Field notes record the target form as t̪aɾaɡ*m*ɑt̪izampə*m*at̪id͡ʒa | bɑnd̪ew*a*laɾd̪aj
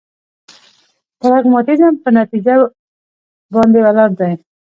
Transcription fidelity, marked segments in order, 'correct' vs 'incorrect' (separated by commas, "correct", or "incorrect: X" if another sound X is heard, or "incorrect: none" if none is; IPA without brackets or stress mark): correct, incorrect: n, correct